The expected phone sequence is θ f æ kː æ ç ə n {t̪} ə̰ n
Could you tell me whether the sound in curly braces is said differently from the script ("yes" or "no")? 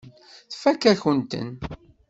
no